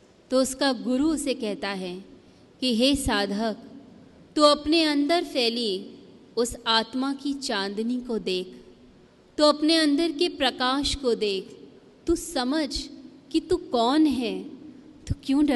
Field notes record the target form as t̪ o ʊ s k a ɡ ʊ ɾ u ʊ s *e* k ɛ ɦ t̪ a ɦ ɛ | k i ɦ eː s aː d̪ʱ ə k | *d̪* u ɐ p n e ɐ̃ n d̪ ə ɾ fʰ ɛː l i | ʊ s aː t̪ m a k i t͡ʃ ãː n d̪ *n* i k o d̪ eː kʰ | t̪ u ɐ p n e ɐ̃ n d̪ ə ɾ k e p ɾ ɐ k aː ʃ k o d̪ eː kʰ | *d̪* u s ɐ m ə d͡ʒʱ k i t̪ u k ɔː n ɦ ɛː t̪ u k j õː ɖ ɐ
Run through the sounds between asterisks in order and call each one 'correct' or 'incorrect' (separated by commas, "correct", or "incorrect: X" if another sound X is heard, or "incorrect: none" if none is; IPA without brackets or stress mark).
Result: correct, incorrect: t̪, correct, incorrect: t̪